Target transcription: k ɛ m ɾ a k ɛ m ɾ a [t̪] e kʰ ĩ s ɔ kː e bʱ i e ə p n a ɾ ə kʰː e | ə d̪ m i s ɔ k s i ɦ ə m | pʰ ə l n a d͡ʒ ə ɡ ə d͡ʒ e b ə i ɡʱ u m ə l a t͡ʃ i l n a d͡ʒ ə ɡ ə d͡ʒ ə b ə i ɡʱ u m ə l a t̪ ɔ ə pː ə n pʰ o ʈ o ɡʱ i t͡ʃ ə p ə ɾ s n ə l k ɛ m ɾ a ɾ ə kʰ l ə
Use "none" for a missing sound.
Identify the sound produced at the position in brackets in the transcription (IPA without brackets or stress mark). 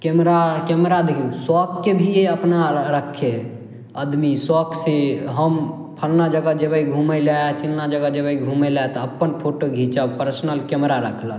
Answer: d̪